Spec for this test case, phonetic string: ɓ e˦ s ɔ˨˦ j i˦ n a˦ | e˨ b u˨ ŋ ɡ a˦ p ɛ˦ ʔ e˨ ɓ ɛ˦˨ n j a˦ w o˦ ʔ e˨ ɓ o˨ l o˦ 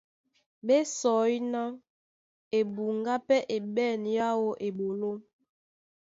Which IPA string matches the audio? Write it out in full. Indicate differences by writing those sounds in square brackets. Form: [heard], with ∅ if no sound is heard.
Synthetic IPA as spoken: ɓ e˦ s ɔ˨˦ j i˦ n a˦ | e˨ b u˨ ŋ ɡ a˦ p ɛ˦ ʔ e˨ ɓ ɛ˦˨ n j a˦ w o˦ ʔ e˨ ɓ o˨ l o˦